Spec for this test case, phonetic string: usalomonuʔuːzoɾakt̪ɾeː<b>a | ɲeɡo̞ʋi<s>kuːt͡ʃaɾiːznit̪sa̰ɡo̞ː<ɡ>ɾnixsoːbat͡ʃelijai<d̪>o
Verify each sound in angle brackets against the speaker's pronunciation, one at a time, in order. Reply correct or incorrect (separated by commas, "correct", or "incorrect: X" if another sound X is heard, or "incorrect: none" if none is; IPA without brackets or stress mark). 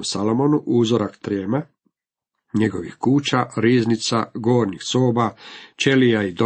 incorrect: m, incorrect: x, incorrect: none, correct